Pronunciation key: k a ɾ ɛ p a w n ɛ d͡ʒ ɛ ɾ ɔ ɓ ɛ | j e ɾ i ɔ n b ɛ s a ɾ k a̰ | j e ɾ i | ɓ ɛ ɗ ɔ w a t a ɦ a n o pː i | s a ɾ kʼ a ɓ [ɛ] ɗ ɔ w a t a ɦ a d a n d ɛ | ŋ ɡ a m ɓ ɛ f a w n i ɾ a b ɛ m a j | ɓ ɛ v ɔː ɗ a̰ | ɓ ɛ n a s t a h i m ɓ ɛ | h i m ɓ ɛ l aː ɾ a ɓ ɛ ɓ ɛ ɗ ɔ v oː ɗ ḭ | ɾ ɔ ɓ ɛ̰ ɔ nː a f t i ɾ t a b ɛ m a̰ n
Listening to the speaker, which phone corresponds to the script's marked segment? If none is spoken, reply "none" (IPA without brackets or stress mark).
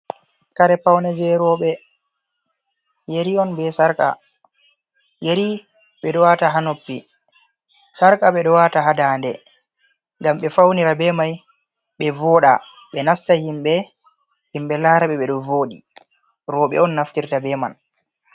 ɛ